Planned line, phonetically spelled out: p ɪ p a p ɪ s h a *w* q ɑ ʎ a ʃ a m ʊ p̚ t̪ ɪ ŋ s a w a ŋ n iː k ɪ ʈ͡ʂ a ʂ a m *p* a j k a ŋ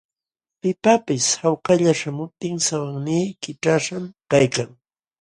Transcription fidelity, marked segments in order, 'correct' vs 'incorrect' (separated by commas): correct, incorrect